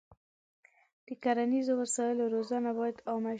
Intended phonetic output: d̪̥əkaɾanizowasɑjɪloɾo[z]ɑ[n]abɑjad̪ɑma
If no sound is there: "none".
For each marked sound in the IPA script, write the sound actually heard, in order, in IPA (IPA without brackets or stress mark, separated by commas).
z, n